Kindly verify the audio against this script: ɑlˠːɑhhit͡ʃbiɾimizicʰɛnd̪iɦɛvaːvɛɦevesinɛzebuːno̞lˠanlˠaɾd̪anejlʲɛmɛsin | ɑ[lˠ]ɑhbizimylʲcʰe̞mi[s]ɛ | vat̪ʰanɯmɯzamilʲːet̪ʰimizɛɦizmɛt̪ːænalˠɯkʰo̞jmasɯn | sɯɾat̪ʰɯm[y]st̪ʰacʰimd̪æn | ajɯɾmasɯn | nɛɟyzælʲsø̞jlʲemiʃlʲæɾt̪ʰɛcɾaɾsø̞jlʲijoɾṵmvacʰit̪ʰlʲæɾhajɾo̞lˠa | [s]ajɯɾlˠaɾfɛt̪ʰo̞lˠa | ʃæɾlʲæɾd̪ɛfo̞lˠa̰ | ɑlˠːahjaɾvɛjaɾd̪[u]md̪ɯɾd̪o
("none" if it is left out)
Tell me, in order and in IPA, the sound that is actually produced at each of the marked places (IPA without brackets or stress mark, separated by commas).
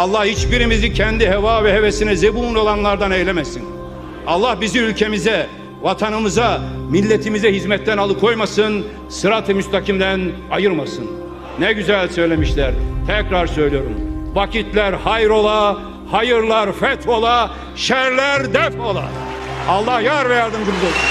lˠː, z, y, h, ɯ